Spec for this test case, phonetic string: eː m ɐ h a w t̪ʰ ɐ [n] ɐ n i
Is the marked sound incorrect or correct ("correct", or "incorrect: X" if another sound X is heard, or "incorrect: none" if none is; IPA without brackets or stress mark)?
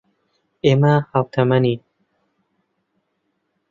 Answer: incorrect: m